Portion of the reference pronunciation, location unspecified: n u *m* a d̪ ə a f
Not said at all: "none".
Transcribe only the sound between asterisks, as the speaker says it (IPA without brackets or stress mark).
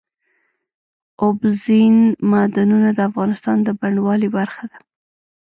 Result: n